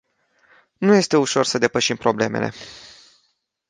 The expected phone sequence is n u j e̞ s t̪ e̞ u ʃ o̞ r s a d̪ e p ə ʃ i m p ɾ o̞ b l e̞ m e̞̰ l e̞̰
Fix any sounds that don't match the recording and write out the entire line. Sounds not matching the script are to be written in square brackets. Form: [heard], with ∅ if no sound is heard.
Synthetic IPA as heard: n u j e̞ s t̪ e̞ u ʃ o̞ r s [ə] d̪ e p ə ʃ i m p ɾ o̞ b l e̞ m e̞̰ l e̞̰